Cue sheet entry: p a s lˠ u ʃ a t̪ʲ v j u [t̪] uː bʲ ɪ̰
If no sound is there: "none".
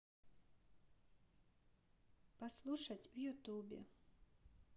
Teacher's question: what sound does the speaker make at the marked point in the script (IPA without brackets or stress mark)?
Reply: t̪